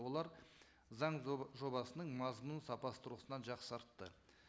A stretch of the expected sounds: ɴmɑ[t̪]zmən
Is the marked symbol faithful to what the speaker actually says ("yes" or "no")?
no